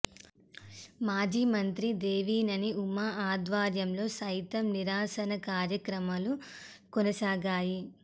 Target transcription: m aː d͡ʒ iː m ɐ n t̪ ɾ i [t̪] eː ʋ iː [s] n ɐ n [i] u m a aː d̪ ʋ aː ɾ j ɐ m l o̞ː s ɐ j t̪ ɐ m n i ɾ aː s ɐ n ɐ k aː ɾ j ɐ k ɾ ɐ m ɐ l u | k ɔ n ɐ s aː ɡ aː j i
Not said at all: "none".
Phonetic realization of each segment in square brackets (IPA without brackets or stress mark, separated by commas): d̪, none, i